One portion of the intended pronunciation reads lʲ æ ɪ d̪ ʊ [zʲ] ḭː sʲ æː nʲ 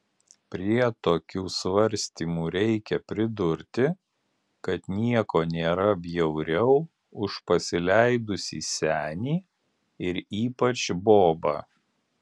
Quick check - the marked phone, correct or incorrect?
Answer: incorrect